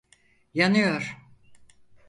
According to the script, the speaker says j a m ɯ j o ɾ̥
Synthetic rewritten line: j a n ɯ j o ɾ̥